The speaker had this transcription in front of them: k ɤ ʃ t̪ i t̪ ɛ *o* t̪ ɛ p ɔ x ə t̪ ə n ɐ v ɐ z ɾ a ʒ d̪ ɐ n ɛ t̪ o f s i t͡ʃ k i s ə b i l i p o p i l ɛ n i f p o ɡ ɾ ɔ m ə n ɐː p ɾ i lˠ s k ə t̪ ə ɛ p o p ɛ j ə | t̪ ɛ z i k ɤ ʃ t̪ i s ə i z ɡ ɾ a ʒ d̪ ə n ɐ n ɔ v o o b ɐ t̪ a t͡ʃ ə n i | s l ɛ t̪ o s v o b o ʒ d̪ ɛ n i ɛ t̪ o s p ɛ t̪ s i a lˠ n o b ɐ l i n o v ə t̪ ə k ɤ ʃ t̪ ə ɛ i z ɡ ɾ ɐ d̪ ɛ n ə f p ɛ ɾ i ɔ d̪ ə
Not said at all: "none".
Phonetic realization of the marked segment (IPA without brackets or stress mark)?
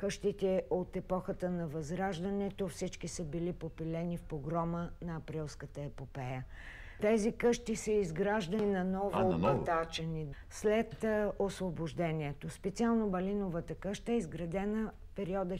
o